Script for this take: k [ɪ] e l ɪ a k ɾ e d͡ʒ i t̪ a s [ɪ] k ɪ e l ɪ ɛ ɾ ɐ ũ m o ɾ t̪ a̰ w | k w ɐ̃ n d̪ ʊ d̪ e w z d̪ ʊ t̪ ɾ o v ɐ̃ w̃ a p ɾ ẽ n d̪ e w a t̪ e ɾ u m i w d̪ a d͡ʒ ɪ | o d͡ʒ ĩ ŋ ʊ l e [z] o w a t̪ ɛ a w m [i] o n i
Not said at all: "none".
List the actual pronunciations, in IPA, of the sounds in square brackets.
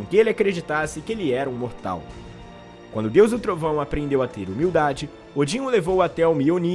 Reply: ɪ, ɪ, v, i

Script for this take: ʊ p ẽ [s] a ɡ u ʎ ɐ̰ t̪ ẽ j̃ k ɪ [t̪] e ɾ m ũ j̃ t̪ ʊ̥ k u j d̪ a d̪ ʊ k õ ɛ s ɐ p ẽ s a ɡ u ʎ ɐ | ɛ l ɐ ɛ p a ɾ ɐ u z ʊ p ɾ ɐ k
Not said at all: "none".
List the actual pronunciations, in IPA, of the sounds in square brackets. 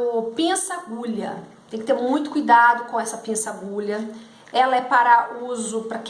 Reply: s, t̪

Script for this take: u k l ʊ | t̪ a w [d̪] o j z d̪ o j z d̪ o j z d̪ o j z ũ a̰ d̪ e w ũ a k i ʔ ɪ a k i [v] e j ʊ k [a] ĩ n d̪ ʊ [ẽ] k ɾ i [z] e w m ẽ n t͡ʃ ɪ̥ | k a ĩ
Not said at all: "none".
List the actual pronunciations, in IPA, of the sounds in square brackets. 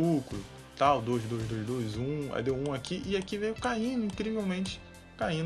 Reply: d̪, v, a, ĩ, v

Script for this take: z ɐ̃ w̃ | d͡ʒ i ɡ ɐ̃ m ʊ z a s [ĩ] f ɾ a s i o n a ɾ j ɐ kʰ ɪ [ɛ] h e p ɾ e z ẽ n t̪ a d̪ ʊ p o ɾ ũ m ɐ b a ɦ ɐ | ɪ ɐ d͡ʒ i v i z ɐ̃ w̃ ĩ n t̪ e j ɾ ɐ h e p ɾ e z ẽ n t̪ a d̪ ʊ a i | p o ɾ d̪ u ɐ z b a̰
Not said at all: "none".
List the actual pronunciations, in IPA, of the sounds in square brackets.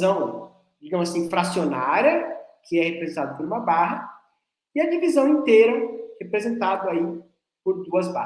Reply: ĩ, ɛ

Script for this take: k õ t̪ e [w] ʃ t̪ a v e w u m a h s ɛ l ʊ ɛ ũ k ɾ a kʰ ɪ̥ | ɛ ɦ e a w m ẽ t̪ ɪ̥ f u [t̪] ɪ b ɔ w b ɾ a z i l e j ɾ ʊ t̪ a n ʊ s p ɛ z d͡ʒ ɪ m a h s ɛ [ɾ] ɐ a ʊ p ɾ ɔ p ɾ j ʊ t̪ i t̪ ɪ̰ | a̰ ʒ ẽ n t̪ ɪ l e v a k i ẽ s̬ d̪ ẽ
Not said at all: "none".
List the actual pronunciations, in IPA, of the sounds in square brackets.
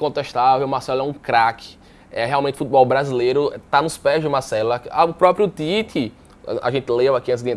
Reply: none, t̪, l

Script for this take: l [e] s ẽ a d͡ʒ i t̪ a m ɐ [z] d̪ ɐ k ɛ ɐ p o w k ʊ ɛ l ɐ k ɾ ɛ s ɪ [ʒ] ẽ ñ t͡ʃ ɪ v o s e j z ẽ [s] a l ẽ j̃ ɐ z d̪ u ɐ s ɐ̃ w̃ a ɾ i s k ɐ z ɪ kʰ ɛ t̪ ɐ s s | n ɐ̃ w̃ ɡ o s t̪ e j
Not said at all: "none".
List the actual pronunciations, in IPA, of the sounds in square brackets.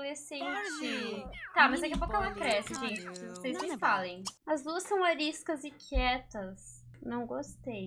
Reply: e, z, ʒ, f

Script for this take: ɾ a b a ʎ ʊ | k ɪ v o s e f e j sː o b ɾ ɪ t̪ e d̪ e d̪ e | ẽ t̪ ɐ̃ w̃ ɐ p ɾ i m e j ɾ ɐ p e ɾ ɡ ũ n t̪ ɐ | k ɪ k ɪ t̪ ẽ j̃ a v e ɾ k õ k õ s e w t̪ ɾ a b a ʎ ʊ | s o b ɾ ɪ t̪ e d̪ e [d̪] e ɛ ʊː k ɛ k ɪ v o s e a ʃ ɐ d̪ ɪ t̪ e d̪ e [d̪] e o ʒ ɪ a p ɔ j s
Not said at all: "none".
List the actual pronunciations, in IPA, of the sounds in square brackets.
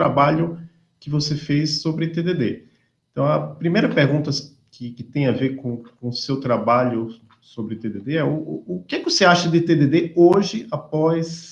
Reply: d̪, d̪

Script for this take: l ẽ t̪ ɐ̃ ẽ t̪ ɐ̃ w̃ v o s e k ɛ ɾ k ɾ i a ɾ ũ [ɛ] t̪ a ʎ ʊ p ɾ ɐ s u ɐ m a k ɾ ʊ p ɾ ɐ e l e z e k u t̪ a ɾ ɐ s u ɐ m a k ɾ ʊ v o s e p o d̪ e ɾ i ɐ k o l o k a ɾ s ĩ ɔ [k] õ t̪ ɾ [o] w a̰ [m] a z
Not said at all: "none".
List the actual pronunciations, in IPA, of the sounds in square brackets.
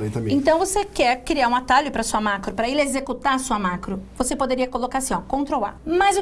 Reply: a, k, o, m

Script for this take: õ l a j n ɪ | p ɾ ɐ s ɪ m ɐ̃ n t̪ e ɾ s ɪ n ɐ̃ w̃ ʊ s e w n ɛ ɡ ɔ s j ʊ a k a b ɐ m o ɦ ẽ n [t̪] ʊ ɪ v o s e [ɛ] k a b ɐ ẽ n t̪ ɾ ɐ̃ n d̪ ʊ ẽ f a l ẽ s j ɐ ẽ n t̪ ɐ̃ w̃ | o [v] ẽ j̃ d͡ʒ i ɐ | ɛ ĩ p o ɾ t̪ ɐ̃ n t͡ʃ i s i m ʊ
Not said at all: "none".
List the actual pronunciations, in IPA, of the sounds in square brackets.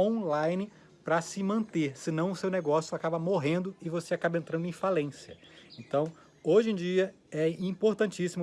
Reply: d̪, a, ʒ

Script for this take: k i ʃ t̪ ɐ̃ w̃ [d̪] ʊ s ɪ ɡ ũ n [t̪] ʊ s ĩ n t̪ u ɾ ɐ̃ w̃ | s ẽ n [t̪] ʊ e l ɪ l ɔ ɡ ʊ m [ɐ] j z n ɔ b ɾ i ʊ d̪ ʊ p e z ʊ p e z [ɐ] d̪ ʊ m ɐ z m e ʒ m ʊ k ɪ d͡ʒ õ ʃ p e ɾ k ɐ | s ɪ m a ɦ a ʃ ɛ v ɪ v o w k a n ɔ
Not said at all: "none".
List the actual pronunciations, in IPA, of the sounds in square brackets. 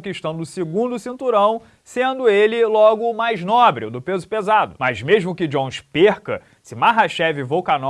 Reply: d̪, d̪, d̪, a, a

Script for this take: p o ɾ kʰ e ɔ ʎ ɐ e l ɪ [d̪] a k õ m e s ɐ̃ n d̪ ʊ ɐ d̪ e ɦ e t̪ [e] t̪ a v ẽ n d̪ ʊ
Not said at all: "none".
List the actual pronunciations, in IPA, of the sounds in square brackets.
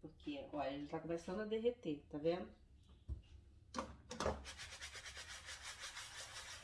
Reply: t̪, e

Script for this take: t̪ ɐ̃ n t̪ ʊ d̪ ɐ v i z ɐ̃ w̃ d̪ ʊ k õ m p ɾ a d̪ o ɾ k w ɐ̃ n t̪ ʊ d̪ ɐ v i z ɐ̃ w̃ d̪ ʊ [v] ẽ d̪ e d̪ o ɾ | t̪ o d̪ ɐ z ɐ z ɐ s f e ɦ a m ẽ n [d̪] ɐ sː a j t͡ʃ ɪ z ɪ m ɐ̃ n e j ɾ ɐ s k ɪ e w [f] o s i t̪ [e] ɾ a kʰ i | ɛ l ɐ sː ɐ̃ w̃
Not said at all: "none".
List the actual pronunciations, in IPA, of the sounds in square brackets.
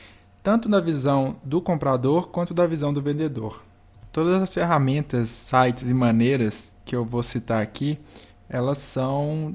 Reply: v, t̪, v, a

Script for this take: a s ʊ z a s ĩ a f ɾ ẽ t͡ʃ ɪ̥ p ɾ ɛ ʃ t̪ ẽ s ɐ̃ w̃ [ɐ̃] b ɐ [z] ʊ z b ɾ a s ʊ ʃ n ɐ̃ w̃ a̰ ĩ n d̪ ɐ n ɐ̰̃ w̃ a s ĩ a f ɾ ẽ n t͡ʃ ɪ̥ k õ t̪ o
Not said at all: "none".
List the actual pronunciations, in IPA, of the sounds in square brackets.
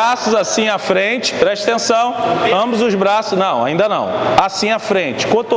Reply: ɐ̃, z

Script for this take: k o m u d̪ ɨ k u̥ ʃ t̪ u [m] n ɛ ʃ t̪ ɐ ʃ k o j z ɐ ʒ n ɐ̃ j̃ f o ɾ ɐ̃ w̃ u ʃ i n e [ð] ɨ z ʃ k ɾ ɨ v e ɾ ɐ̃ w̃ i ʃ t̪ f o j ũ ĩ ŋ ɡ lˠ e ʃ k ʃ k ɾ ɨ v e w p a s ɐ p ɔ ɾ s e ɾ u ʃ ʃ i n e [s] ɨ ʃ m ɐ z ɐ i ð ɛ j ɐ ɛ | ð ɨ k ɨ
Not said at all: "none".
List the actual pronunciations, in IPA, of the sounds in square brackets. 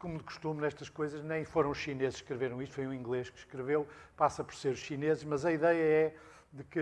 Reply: m, z, z

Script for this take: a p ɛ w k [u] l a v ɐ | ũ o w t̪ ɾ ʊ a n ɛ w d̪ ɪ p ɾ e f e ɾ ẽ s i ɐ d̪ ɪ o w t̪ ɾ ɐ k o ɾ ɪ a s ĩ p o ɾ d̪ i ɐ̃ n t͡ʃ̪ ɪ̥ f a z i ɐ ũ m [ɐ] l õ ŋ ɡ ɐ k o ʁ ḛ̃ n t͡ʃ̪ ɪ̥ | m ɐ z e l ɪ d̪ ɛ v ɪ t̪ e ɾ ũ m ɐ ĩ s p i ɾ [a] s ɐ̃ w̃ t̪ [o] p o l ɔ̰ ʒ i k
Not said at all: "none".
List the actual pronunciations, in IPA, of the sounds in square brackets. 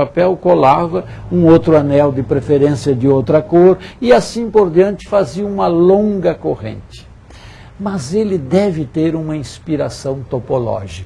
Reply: o, ɐ, a, o

